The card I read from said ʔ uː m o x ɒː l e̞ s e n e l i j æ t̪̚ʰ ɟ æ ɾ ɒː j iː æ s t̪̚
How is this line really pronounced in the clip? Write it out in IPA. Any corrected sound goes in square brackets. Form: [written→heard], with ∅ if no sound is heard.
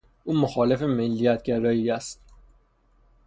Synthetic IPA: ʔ uː m o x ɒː l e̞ [s→f] e [n→m] e [l→lː] i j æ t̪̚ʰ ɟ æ ɾ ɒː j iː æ s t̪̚